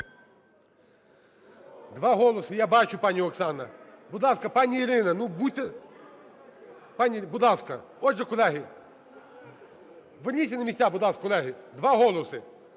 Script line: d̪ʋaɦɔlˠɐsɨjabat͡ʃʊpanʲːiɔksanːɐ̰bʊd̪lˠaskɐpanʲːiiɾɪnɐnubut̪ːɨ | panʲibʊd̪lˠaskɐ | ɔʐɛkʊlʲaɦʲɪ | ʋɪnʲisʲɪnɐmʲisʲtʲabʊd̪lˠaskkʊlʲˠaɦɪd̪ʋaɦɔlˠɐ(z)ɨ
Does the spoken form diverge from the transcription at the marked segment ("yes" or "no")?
yes